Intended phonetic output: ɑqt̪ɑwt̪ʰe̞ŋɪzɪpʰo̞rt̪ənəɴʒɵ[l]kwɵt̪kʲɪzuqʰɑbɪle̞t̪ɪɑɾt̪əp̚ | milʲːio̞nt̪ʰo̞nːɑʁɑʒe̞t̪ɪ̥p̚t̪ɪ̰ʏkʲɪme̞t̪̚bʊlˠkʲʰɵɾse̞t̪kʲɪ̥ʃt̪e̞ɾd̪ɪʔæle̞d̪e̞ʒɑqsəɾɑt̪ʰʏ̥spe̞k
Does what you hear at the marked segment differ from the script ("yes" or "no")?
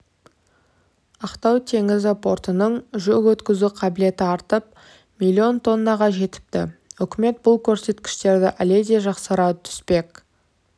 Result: yes